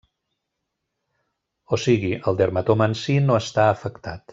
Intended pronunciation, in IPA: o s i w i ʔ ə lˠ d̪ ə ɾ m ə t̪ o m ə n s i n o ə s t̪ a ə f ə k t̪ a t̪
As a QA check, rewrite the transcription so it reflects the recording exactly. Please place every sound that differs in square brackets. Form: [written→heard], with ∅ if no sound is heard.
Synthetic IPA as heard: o s i [w→ɣ] i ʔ ə lˠ d̪ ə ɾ m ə t̪ o m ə n s i n o ə s t̪ a ə f ə k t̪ a t̪

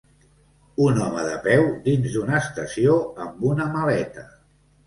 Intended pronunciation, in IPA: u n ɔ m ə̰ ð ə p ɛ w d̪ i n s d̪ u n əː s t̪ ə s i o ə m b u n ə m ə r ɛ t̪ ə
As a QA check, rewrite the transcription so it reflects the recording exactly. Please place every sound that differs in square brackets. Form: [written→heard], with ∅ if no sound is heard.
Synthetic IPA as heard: u n ɔ m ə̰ ð ə p ɛ w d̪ i n [s→z] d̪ u n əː s t̪ ə s i o ə m b u n ə m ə [r→l] ɛ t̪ ə

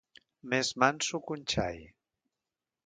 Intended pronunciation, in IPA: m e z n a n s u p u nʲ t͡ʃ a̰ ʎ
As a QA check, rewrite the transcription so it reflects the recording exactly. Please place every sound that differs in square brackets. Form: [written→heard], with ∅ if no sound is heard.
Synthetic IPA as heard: m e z [n→m] a n s u [p→k] u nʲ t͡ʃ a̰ [ʎ→j]

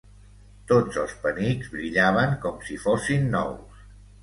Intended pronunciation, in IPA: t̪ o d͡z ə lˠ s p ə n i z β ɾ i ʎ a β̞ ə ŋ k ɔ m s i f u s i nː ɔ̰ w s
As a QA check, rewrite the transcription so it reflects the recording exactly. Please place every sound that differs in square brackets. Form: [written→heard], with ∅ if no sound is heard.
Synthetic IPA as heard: t̪ o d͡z ə lˠ s p ə n i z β ɾ i ʎ a β̞ ə ŋ k ɔ m s i f [u→o] s i nː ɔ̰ w s

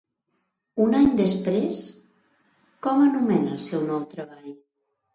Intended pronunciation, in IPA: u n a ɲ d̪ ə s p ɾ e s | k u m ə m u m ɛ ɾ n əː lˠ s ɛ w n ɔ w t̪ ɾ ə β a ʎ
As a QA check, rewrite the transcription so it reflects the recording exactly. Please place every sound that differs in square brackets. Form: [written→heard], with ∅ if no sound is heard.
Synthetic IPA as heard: u n a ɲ d̪ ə s p ɾ e s | k [u→ɔ] m ə [m→n] u m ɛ [ɾ→∅] n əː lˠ s ɛ w n ɔ w t̪ ɾ ə β a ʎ

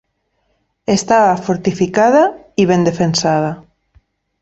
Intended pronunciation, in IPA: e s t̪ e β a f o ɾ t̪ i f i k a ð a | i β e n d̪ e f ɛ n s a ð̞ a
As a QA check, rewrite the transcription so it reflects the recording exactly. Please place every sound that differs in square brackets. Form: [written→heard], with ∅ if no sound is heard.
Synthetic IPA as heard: e s t̪ [e→a] β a f o ɾ t̪ i f i k a ð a | i β e n d̪ e f [ɛ→e] n s a ð̞ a

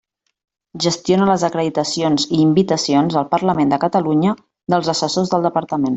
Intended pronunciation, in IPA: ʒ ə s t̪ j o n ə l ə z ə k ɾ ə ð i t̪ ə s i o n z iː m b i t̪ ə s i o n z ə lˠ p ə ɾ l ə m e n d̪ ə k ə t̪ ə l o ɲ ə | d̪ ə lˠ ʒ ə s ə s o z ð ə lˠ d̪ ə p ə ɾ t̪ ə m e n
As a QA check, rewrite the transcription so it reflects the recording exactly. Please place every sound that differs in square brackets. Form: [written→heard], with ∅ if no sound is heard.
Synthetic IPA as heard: ʒ ə s t̪ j o n ə l ə z ə k ɾ ə ð i t̪ ə s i o n z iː m b i t̪ ə s i o n z ə lˠ p ə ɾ l ə m e n d̪ ə k ə t̪ ə l [o→u] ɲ ə | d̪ ə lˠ [ʒ→z] ə s ə s o z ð ə lˠ d̪ ə p ə ɾ t̪ ə m e n

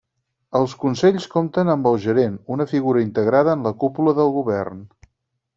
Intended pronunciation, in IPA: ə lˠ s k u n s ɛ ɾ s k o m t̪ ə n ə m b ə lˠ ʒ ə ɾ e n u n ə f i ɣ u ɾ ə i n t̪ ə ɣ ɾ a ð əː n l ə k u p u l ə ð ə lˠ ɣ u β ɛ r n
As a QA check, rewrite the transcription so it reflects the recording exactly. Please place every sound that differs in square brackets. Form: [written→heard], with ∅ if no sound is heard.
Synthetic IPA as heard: ə lˠ s k u n s ɛ [ɾ→ʎ] s k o m t̪ ə n ə m b ə lˠ ʒ ə ɾ e n u n ə f i ɣ u ɾ ə i n t̪ ə ɣ ɾ a ð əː n l ə k u p u l ə ð ə lˠ ɣ u β ɛ r n

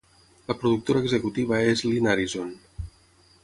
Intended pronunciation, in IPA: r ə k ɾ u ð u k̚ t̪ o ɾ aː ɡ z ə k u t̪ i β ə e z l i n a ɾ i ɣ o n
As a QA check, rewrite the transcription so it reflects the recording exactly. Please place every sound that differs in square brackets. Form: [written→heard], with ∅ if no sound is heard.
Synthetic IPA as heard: [r→l] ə [k→p] ɾ u ð u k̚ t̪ o ɾ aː ɡ z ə k u t̪ i β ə e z l i n a ɾ i [ɣ→z] o n

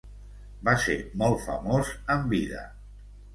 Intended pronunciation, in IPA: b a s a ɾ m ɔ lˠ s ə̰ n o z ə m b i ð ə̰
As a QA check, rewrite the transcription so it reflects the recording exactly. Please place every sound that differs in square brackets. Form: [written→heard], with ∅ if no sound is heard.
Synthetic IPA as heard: b a s [a→e] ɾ m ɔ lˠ [s→f] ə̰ [n→m] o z ə m b i ð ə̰

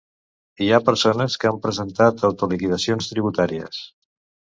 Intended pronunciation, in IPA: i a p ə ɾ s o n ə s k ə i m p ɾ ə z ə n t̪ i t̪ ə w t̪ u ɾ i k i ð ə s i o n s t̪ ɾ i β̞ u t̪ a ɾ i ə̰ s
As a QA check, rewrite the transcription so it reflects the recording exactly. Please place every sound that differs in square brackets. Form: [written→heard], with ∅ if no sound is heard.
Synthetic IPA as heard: i a p ə ɾ s o n ə s k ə [i→a] m p ɾ ə z ə n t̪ [i→a] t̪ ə w t̪ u [ɾ→l] i k i ð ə s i o n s t̪ ɾ i β̞ u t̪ a ɾ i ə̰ s

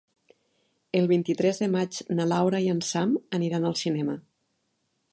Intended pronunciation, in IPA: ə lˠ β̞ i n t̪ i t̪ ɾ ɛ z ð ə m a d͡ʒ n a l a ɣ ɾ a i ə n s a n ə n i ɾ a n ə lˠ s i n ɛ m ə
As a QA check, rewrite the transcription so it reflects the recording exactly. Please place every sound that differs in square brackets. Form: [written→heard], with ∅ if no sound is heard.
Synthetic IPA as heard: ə lˠ β̞ i n t̪ i t̪ ɾ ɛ z ð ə m a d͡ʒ n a l a [ɣ→w] ɾ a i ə n s a [n→m] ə n i ɾ a n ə lˠ s i n ɛ m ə

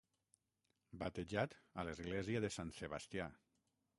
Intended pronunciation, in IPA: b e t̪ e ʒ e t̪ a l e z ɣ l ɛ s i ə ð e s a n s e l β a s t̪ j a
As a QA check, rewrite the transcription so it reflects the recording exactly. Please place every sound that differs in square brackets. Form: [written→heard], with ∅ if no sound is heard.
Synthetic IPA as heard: b [e→a] t̪ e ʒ [e→a] t̪ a l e z ɣ l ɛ [s→z] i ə ð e s a n s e [l→∅] β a s t̪ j a

